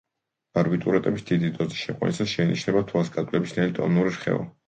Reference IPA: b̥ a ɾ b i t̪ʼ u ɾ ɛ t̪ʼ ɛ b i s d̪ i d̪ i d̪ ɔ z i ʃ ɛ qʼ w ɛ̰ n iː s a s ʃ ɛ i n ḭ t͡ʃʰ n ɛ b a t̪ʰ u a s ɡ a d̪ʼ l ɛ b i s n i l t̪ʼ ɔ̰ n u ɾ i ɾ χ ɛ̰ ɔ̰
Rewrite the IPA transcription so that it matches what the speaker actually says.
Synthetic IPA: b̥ a ɾ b i t̪ʼ u ɾ ɛ t̪ʼ ɛ b i s d̪ i d̪ i d̪ ɔ z i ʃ ɛ qʼ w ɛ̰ n i s a s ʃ ɛ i n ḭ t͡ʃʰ n ɛ b a t̪ʰ u a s ɡ a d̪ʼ l ɛ b i s n ɛ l t̪ʼ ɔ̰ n u ɾ i ɾ χ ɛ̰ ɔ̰

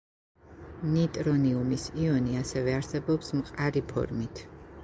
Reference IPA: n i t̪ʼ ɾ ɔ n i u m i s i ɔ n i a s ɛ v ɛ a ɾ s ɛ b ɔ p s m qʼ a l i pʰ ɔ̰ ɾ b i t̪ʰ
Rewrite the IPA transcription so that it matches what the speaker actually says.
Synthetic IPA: n i t̪ʼ ɾ ɔ n i u m i s i ɔ n i a s ɛ v ɛ a ɾ s ɛ b ɔ p s m qʼ a ɾ i pʰ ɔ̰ ɾ m i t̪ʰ

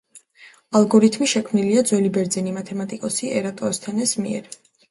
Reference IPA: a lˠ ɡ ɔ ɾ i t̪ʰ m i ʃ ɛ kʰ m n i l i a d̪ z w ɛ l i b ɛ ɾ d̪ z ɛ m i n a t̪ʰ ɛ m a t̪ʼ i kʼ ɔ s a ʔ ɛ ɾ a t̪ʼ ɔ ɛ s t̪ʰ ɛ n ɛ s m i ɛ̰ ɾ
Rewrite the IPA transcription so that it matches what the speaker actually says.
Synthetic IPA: a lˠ ɡ ɔ ɾ i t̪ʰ m i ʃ ɛ kʰ m n i l i a d̪ z w ɛ l i b ɛ ɾ d̪ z ɛ n i m a t̪ʰ ɛ m a t̪ʼ i kʼ ɔ s i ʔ ɛ ɾ a t̪ʼ ɔ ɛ s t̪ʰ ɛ n ɛ s m i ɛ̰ ɾ

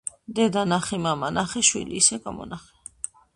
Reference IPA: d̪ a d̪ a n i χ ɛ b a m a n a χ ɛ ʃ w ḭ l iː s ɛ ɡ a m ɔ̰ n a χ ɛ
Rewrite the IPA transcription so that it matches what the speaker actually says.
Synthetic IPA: d̪ ɛ d̪ a n a χ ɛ m a m a n a χ ɛ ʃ w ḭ l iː s ɛ ɡ a m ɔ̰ n a χ ɛ

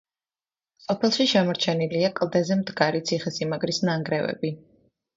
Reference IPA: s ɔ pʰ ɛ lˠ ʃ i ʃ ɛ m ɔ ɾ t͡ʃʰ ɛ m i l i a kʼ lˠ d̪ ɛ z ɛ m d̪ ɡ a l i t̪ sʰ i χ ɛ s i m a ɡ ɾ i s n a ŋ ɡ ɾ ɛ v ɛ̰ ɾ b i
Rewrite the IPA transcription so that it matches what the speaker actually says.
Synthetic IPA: s ɔ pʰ ɛ lˠ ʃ i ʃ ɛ m ɔ ɾ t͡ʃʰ ɛ n i l i a kʼ lˠ d̪ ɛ z ɛ m d̪ ɡ a ɾ i t̪ sʰ i χ ɛ s i m a ɡ ɾ i s n a ŋ ɡ ɾ ɛ v ɛ̰ b i

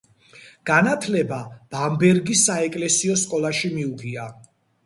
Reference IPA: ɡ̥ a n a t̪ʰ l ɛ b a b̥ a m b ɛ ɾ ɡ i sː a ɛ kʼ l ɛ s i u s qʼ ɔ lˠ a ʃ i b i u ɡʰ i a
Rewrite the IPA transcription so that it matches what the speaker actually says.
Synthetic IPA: ɡ̥ a n a t̪ʰ l ɛ b a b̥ a m b ɛ ɾ ɡ i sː a ɛ kʼ l ɛ s i ɔ s kʼ ɔ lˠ a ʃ i m i u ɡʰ i a

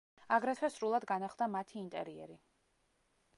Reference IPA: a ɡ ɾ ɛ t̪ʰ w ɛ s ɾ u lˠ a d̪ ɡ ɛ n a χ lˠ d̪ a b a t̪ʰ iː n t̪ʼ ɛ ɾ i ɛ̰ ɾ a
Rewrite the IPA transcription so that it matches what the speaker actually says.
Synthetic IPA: a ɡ ɾ ɛ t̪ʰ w ɛ s ɾ u lˠ a d̪ ɡ a n a χ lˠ d̪ a m a t̪ʰ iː n t̪ʼ ɛ ɾ i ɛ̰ ɾ i

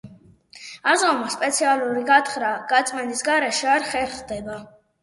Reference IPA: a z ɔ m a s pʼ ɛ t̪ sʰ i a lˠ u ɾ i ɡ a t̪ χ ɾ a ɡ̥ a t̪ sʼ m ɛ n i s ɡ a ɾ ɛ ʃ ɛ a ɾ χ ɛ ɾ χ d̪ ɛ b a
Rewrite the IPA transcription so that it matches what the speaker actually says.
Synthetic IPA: a z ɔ m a s pʼ ɛ t̪ sʰ i a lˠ u ɾ i ɡ a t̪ χ ɾ a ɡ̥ a t̪ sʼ m ɛ n i s ɡ a ɾ ɛ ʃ ɛ a ɾ χ ɛ ɾ χ d̪ ɛ b a

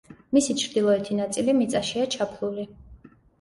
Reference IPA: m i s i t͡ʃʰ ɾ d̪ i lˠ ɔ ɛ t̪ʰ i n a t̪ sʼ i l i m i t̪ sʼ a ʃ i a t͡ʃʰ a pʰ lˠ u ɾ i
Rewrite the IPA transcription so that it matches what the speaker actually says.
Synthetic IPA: m i s i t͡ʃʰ ɾ d̪ i lˠ ɔ ɛ t̪ʰ i n a t̪ sʼ i l i m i t̪ sʼ a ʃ i a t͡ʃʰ a pʰ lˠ u l i

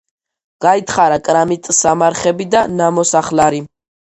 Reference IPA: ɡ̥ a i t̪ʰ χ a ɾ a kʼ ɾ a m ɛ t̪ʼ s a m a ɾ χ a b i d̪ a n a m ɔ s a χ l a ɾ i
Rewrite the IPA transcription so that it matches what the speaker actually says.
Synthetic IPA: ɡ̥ a i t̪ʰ χ a ɾ a kʼ ɾ a m i t̪ʼ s a m a ɾ χ ɛ b i d̪ a n a m ɔ s a χ l a ɾ i

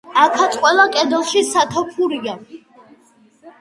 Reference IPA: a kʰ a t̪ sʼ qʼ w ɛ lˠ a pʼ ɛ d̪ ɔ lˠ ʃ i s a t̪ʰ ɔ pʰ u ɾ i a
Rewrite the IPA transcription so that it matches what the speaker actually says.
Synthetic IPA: a kʰ a t̪ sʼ qʼ w ɛ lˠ a kʼ ɛ d̪ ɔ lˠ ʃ i s a t̪ʰ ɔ pʰ u ɾ i a

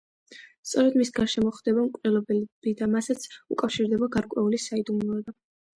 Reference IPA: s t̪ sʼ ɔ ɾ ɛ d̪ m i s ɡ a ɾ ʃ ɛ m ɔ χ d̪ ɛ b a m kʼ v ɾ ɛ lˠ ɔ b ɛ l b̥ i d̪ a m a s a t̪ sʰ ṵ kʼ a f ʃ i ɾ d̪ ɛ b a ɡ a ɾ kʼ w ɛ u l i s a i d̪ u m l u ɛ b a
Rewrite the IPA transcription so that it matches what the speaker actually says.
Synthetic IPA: s t̪ sʼ ɔ ɾ ɛ d̪ m i s ɡ a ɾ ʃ ɛ m ɔ χ d̪ ɛ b a m kʼ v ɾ ɛ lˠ ɔ b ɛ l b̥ i d̪ a m a s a t̪ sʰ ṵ kʼ a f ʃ i ɾ d̪ ɛ b a ɡ a ɾ kʼ w ɛ u l i s a i d̪ u m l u ɛ b a

